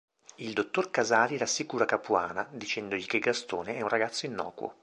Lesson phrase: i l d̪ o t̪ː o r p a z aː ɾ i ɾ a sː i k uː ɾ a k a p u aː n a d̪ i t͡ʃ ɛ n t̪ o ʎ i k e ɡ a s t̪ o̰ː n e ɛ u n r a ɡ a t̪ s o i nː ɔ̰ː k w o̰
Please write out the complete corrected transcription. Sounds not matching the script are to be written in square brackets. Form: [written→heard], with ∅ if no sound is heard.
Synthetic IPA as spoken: i l d̪ o t̪ː o r [p→k] a z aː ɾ i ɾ a sː i k uː ɾ a k a p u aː n a d̪ i t͡ʃ ɛ n [t̪→d̪] o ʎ i k e ɡ a s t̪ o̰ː n e ɛ u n r a ɡ a t̪ [s→sː] o i nː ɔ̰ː k w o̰